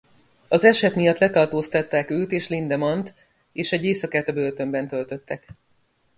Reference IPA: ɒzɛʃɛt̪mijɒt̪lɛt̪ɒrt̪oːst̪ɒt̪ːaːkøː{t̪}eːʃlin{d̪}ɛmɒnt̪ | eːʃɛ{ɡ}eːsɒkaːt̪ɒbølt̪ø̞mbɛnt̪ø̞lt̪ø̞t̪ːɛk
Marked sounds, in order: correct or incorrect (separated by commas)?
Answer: correct, correct, incorrect